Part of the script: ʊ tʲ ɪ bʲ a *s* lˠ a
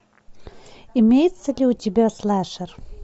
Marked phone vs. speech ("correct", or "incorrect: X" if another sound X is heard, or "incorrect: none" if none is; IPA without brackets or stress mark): correct